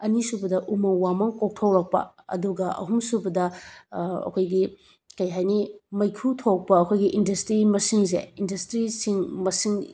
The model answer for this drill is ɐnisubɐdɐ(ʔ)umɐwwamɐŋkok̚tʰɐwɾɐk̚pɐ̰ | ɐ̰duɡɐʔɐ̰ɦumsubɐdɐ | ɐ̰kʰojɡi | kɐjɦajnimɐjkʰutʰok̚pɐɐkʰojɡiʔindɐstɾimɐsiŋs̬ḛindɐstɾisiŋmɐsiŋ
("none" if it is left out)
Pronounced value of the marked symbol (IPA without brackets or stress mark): ʔ